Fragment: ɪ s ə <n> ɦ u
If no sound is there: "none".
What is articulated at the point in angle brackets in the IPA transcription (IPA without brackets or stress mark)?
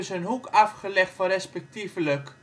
n